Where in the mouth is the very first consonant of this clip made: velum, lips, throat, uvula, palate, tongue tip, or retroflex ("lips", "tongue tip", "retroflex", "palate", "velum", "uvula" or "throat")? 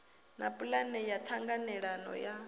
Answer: tongue tip